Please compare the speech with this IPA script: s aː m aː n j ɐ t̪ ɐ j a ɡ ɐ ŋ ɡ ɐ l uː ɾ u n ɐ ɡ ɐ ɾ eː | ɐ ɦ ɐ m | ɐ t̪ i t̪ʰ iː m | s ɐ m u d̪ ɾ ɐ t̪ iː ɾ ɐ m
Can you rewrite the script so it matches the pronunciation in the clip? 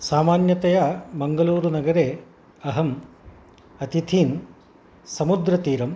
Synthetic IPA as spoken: s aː m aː n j ɐ t̪ ɐ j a b ɐ ŋ ɡ ɐ l uː ɾ u n ɐ ɡ ɐ ɾ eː | ɐ ɦ ɐ m | ɐ t̪ i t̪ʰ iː n | s ɐ m u d̪ ɾ ɐ t̪ iː ɾ ɐ m